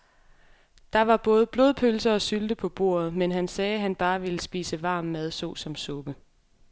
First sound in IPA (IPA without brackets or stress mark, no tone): d̥